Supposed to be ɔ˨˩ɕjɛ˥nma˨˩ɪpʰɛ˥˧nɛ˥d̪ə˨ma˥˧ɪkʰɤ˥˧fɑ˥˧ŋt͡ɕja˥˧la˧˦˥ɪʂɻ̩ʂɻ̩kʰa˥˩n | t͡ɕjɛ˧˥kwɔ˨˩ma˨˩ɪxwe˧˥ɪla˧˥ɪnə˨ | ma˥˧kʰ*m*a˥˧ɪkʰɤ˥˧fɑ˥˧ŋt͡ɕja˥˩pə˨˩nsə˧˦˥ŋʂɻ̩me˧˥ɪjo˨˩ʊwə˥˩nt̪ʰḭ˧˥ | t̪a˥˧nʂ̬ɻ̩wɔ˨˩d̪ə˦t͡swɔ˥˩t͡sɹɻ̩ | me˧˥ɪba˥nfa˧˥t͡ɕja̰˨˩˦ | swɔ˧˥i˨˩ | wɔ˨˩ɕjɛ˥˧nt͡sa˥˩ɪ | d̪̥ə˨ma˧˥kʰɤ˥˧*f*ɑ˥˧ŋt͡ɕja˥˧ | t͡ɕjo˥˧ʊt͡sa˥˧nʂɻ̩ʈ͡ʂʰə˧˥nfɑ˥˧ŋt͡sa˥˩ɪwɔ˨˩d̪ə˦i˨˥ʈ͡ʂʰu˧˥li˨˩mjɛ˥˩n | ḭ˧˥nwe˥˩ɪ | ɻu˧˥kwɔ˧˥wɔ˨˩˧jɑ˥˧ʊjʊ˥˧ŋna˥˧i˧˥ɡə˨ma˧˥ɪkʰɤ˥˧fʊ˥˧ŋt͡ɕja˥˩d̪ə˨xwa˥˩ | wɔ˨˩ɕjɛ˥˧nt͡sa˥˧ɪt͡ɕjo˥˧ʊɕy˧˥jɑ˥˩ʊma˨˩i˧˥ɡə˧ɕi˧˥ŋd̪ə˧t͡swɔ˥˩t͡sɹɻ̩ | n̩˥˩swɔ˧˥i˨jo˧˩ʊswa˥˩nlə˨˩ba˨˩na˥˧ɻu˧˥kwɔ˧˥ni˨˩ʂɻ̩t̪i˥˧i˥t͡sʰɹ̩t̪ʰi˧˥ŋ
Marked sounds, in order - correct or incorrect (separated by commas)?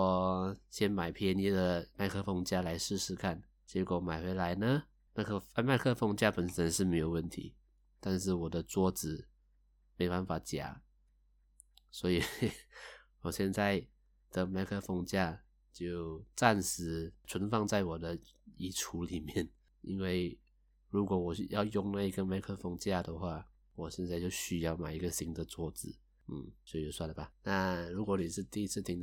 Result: correct, correct